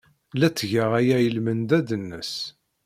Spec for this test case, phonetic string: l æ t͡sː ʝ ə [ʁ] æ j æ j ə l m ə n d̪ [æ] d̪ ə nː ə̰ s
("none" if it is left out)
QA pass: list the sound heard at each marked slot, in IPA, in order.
ʁ, æ

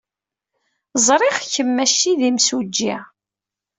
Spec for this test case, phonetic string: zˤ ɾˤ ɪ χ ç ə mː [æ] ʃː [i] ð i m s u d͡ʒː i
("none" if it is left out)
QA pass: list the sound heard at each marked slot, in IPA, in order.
æ, i

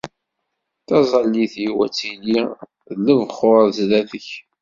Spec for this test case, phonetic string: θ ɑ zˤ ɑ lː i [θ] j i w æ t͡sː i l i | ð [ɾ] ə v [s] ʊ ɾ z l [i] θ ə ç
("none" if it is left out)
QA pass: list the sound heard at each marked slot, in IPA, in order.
θ, l, χ, æ

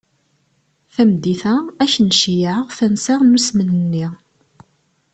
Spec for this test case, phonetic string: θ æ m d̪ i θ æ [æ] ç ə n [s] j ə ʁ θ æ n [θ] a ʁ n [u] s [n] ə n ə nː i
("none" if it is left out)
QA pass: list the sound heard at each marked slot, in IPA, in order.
æ, ʃ, s, u, m

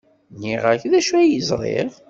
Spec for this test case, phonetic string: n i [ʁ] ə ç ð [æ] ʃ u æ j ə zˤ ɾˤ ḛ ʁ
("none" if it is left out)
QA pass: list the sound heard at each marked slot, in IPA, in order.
ʁ, æ

